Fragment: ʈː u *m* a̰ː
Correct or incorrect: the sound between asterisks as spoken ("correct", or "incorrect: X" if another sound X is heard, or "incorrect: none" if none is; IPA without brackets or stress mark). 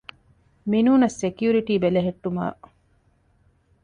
correct